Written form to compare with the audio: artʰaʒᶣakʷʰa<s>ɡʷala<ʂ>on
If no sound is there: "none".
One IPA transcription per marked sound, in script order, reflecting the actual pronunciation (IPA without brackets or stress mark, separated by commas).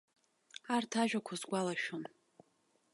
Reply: z, ʃ